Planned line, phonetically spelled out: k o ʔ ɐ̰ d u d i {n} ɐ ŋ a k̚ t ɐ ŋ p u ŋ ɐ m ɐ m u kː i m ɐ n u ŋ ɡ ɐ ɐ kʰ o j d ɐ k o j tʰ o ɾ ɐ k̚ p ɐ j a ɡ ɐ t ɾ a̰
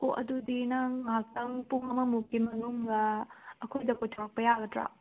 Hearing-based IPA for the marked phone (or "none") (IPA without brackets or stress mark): n